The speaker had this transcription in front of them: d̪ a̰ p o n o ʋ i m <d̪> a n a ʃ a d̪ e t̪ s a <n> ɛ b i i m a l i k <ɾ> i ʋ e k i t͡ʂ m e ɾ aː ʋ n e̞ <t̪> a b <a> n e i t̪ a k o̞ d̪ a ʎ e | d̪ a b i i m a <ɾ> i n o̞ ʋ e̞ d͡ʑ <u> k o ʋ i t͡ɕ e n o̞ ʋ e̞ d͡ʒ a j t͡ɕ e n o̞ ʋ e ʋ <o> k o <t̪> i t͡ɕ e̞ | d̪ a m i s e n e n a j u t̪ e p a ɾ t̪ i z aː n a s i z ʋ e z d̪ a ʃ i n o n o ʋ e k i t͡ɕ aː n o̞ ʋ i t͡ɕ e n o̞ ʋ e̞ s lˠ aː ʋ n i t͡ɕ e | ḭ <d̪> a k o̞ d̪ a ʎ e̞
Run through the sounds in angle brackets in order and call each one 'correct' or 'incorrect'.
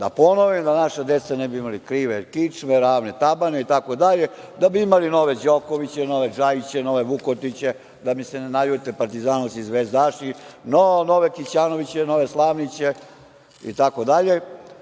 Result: correct, correct, correct, correct, correct, incorrect: l, incorrect: o, incorrect: u, correct, incorrect: t̪

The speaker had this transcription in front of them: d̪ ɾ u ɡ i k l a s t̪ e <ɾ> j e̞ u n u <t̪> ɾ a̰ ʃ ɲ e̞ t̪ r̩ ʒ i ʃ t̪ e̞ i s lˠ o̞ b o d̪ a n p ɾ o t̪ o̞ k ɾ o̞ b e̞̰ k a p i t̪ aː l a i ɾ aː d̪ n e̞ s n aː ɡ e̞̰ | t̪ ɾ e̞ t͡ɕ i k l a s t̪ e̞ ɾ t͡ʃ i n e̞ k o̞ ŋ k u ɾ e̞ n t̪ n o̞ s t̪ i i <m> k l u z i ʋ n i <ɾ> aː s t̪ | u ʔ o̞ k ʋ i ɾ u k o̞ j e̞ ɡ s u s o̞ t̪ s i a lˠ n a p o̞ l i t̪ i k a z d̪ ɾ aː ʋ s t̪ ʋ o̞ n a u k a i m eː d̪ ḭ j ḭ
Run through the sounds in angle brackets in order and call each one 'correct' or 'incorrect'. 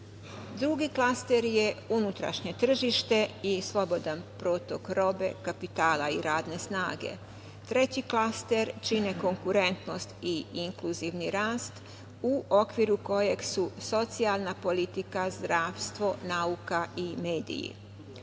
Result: correct, correct, incorrect: ŋ, correct

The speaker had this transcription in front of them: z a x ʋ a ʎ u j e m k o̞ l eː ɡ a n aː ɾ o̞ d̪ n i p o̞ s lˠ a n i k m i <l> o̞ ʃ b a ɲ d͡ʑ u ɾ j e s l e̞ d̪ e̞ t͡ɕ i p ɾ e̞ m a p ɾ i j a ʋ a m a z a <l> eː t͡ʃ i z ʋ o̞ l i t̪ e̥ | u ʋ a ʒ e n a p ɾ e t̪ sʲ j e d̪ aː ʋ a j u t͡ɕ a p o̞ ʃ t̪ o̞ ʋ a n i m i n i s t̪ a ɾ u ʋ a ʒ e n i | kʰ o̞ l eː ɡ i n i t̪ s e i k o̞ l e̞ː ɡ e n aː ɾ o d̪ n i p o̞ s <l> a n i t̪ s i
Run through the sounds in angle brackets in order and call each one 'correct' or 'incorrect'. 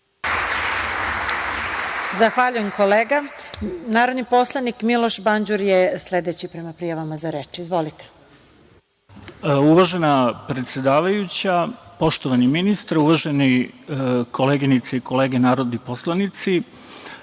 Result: correct, incorrect: ɾ, correct

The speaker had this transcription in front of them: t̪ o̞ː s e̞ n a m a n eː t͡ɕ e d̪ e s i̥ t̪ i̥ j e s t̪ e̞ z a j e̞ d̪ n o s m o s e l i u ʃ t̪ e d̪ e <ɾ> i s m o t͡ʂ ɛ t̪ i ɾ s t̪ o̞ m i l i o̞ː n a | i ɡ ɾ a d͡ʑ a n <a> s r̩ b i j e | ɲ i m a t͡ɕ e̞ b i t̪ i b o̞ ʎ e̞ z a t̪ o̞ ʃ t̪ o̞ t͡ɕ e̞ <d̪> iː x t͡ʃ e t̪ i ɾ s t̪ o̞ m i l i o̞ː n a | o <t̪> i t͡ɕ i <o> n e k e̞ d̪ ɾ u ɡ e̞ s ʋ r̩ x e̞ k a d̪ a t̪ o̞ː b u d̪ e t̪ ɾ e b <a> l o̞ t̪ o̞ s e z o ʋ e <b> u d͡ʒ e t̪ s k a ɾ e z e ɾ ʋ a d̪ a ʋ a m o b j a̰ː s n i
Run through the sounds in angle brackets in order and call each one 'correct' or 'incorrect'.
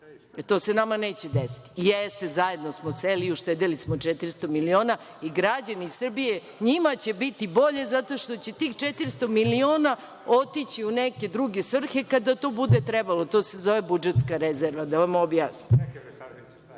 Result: incorrect: l, incorrect: i, incorrect: t̪, correct, incorrect: u, correct, correct

